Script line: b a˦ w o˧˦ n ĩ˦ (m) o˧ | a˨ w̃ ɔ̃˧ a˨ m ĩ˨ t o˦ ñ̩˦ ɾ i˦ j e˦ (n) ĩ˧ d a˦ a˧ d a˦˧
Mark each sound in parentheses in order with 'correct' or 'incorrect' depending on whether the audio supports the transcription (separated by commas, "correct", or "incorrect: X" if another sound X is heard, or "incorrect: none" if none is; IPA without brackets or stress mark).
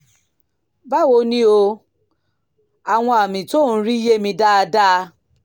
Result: incorrect: none, incorrect: m